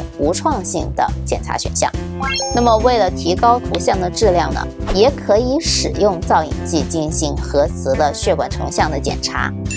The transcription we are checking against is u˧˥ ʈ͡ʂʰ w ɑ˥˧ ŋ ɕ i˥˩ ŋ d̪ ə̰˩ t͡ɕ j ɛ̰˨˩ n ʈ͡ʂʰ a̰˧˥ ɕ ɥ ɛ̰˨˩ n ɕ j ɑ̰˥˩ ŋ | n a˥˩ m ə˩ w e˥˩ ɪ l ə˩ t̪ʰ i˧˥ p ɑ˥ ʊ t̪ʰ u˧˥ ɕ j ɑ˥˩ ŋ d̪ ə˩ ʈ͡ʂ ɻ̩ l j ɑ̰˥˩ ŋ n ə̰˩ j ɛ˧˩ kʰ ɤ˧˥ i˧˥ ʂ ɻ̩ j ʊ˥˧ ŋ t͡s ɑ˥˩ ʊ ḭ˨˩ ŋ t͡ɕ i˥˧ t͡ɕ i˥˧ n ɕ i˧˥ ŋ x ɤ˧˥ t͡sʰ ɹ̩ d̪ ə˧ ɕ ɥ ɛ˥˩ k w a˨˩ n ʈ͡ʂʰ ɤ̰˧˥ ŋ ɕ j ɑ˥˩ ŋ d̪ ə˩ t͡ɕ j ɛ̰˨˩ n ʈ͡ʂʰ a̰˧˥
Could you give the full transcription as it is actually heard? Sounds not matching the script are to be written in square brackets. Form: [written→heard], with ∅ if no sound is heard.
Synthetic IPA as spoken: u˧˥ ʈ͡ʂʰ w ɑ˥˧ ŋ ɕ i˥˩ ŋ d̪ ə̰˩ t͡ɕ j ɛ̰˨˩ n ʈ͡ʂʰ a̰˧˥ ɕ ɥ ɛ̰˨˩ n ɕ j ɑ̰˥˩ ŋ | n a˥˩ m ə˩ w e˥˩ ɪ l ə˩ t̪ʰ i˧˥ [p→k] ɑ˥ ʊ t̪ʰ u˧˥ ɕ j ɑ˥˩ ŋ d̪ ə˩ ʈ͡ʂ ɻ̩ l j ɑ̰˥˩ ŋ n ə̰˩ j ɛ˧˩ kʰ ɤ˧˥ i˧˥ ʂ ɻ̩ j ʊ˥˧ ŋ t͡s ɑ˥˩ ʊ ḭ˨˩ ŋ t͡ɕ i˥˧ t͡ɕ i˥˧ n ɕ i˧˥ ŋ x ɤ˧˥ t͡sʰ ɹ̩ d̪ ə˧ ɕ ɥ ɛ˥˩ k w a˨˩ n ʈ͡ʂʰ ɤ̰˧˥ ŋ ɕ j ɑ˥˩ ŋ d̪ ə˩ t͡ɕ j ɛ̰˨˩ n ʈ͡ʂʰ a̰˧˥